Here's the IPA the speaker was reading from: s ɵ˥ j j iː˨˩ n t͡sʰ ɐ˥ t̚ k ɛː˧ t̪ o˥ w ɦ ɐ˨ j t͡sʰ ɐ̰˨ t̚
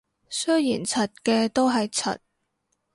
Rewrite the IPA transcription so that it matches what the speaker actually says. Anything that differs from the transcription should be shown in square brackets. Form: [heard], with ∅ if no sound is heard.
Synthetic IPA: s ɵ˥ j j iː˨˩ n t͡sʰ [ɐ˨] t̚ k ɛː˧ t̪ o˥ w ɦ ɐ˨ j t͡sʰ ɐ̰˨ t̚